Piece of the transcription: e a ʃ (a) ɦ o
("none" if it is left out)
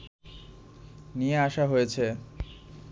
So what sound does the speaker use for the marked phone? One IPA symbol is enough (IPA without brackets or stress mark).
a